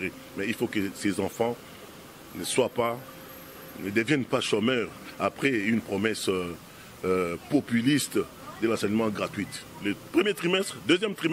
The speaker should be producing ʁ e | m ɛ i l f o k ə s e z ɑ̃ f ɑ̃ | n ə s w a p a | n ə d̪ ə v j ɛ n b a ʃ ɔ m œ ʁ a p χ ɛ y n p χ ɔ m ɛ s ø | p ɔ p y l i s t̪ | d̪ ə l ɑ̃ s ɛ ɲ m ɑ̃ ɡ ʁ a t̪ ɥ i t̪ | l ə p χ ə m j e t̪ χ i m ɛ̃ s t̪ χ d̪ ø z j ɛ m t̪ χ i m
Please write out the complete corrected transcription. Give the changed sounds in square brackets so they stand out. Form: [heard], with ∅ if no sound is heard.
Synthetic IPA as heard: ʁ e | m ɛ i l f o k ə s e z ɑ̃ f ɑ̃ | n ə s w a p a | n ə d̪ ə v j ɛ n [p] a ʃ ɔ m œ ʁ a p χ ɛ y n p χ ɔ m ɛ s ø | p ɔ p y l i s t̪ | d̪ ə l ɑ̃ s ɛ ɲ m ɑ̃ ɡ ʁ a t̪ ɥ i t̪ | l ə p χ ə m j e t̪ χ i m [ɛ] s t̪ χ d̪ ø z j ɛ m t̪ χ i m